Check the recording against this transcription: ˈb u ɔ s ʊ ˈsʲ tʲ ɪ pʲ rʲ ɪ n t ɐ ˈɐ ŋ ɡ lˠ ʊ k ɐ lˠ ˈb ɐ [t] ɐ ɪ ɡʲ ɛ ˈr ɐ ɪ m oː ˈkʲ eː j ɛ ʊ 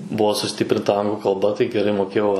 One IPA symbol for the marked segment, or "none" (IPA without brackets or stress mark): t